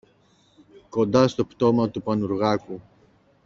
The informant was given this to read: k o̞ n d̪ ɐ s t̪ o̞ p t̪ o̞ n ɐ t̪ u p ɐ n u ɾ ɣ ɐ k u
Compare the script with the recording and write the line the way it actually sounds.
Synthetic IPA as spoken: k o̞ n d̪ ɐ s t̪ o̞ p t̪ o̞ m ɐ t̪ u p ɐ n u ɾ ɣ ɐ k u